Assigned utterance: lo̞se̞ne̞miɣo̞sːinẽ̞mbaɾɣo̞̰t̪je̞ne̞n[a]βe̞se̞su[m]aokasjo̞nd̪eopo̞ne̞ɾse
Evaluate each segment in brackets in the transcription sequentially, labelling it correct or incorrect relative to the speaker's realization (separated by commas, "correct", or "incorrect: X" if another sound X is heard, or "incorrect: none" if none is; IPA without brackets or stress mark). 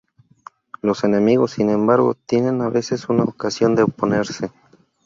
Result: correct, incorrect: n